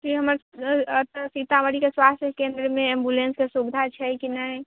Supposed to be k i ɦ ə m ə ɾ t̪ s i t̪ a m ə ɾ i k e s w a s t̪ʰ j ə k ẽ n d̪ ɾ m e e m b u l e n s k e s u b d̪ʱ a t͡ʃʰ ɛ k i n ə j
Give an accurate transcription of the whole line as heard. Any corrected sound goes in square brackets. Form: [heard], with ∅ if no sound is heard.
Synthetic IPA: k i ɦ ə m ə ɾ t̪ s i t̪ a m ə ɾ i k e s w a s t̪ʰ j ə k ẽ n d̪ ɾ m e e m b u l e n s k e s u b d̪ʱ a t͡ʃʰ ɛ k i n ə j